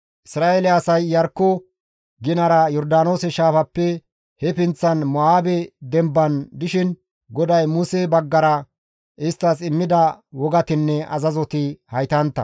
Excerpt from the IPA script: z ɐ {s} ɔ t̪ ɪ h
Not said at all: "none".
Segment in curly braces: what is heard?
z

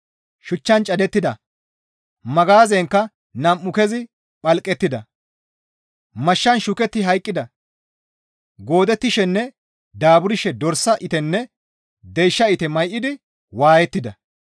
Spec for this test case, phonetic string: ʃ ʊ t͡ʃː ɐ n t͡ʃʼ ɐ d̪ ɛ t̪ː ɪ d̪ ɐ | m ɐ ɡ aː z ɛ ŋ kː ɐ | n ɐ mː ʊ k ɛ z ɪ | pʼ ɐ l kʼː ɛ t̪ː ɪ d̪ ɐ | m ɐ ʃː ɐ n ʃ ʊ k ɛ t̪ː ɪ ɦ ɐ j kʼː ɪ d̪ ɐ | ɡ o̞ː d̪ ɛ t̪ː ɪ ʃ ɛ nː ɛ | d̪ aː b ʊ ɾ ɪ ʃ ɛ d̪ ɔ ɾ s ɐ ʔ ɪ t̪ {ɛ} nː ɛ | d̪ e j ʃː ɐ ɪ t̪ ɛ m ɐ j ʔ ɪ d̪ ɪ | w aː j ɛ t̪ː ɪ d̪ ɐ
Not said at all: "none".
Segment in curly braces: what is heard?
ɛ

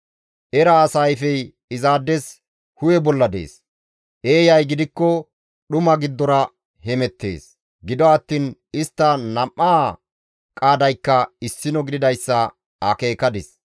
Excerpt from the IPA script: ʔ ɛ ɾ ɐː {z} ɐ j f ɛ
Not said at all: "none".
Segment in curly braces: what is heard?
s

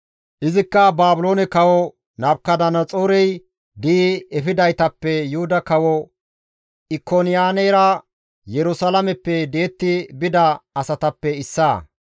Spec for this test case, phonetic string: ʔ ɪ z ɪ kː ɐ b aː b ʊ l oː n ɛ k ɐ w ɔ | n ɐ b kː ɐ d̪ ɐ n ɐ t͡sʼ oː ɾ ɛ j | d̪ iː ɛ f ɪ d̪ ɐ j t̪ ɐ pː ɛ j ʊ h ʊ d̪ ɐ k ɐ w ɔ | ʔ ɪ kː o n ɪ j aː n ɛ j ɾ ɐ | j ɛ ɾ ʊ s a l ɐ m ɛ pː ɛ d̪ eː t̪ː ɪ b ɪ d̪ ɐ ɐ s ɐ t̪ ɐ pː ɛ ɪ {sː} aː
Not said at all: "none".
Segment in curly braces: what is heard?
sː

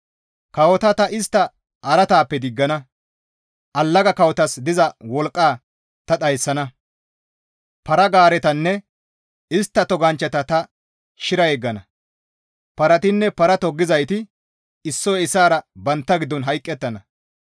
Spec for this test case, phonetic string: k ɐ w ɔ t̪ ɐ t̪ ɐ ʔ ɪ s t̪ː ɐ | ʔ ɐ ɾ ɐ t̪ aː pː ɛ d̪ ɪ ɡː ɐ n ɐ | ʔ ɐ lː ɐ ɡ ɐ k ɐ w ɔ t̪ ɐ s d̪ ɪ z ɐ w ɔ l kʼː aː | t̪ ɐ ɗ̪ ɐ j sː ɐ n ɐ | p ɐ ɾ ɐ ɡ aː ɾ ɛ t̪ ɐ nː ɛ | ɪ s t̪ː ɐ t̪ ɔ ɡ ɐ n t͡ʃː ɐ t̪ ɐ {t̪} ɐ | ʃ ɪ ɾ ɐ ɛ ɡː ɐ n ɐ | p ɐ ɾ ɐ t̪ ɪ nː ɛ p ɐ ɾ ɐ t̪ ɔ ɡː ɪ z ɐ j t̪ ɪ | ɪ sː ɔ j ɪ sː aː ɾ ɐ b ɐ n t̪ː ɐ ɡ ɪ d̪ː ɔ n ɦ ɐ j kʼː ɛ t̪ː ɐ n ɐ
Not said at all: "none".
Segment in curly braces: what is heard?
t̪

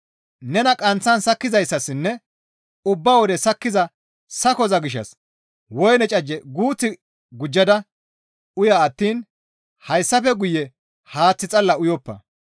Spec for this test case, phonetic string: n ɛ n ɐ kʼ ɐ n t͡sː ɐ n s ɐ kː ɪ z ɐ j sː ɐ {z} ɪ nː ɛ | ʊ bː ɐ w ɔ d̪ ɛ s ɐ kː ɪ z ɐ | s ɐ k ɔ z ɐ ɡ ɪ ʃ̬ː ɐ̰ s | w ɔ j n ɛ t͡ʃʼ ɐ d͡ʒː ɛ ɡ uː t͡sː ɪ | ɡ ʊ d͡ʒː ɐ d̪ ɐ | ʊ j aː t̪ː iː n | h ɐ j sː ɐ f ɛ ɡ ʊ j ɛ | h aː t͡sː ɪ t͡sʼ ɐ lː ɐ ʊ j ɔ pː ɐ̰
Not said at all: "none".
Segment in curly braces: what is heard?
s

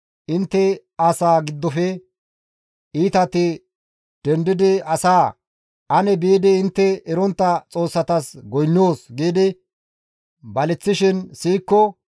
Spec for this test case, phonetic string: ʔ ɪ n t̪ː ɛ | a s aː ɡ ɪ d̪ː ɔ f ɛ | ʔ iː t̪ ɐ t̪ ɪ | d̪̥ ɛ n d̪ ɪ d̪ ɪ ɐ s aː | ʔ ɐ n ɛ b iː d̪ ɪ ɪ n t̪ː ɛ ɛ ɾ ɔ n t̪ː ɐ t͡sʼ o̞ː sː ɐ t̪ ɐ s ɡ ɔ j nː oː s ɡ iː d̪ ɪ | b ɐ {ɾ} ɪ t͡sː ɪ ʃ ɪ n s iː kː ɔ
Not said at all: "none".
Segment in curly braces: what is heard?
l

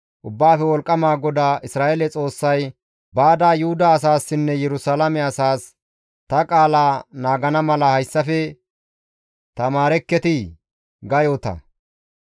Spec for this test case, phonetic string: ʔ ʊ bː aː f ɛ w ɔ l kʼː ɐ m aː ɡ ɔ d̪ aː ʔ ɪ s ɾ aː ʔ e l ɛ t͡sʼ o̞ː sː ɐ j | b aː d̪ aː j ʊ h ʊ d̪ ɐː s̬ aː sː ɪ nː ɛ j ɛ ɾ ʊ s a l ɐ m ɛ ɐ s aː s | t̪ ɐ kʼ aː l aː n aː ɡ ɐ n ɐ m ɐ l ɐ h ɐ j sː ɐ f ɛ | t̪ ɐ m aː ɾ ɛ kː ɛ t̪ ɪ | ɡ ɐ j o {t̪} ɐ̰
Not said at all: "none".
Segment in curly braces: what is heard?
t̪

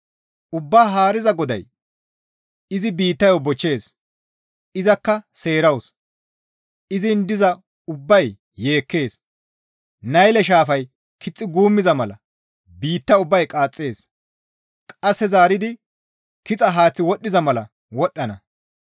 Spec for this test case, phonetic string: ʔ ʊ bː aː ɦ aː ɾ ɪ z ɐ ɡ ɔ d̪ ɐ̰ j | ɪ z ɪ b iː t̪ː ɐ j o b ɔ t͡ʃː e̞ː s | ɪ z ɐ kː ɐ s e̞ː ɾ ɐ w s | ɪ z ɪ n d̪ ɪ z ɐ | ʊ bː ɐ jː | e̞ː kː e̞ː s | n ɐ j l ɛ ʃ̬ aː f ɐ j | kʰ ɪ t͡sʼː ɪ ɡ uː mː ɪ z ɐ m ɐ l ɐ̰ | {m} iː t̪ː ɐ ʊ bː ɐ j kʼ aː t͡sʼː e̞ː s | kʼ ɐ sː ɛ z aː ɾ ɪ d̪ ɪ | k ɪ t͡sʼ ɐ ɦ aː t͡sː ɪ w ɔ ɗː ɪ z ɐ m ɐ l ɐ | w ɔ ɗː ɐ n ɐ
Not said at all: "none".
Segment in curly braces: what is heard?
b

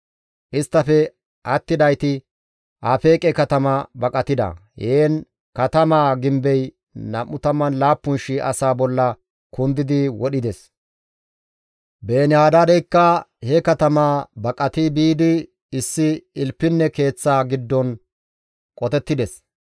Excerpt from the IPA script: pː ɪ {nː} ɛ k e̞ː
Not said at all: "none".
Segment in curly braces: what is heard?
nː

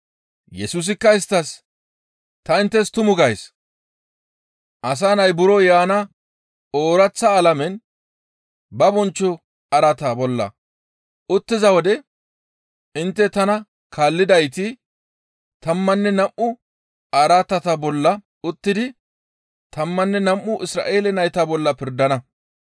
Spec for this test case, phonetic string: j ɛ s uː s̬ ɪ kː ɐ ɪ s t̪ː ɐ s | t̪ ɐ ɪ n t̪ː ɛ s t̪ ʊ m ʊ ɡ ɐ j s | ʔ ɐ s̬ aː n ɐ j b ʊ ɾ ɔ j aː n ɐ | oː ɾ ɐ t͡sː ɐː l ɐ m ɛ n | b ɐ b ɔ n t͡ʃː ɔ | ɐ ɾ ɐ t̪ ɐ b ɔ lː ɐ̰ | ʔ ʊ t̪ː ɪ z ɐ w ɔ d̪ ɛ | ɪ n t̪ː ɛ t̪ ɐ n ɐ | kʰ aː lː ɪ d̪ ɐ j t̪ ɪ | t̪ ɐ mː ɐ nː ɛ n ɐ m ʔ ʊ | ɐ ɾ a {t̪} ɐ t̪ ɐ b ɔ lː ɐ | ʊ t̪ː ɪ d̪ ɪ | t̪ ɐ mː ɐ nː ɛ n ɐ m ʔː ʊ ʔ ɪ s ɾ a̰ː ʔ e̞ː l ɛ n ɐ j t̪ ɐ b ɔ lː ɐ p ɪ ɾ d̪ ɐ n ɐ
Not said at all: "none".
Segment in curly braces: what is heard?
t̪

